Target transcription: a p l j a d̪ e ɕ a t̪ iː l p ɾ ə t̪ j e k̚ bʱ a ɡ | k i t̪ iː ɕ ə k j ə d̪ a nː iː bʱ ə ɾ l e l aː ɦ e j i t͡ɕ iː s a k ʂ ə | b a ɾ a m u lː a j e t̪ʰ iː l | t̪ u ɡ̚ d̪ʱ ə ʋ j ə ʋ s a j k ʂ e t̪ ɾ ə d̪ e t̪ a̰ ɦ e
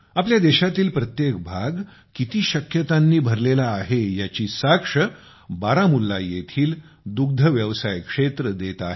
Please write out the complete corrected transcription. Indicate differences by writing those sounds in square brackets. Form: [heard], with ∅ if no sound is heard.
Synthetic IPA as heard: a p l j a d̪ e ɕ a t̪ iː l p ɾ ə t̪ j e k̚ bʱ a ɡ | k i t̪ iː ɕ ə k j ə [t̪] a nː iː bʱ ə ɾ l e l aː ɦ e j [a] t͡ɕ iː s a k ʂ ə | b a ɾ a m u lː a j e t̪ʰ iː l | [d̪] u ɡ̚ d̪ʱ ə ʋ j ə ʋ s a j k ʂ e t̪ ɾ ə d̪ e t̪ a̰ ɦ e

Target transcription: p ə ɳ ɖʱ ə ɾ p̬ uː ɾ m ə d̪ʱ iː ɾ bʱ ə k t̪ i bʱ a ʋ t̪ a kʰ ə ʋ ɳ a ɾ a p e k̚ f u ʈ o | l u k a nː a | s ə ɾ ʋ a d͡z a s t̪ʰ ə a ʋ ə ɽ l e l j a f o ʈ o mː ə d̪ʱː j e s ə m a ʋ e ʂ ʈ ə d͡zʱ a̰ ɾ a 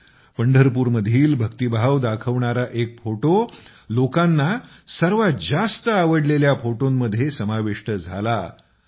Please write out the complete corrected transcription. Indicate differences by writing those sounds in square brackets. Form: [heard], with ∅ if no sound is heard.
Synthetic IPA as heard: p ə ɳ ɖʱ ə ɾ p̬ uː ɾ m ə d̪ʱ iː [l] bʱ ə k t̪ i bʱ a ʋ [d̪] a kʰ ə ʋ ɳ a ɾ a [ʔ] e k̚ f [o] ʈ o | l [o] k a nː a | s ə ɾ ʋ a d͡z a s [t̪] ə a ʋ ə ɽ l e l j a f o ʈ o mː ə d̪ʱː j e s ə m a ʋ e ʂ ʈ ə d͡zʱ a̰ [l] a

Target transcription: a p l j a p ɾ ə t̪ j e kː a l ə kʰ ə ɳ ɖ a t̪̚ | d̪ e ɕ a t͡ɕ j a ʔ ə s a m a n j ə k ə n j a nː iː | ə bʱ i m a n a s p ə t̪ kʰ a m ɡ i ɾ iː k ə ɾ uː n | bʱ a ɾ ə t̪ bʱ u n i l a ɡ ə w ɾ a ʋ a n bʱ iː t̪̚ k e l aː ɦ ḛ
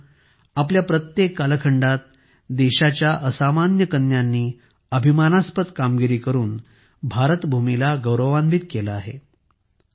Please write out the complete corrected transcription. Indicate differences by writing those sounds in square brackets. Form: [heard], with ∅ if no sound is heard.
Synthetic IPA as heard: a p l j a p ɾ ə t̪ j e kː a l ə kʰ ə ɳ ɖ a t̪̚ | d̪ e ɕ a t͡ɕ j a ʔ ə s a m a n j ə k ə n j a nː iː | ə bʱ i m a n a s p ə t̪ [k] a m ɡ i ɾ iː k ə ɾ uː n | bʱ a ɾ ə t̪ bʱ u [m] i l a ɡ ə w ɾ [ə] ʋ a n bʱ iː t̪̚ k e l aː ɦ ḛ

